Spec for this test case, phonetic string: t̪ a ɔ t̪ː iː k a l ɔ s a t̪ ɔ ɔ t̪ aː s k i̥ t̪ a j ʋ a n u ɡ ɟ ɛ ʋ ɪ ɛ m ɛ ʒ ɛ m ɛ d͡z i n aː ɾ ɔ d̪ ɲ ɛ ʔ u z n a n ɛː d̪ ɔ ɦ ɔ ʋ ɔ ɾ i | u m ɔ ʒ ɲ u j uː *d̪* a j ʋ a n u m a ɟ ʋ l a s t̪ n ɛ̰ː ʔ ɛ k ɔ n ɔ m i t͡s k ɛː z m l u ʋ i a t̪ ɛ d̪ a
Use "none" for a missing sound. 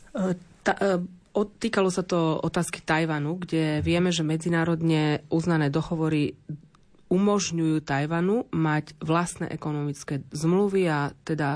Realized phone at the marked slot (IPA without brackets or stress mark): t̪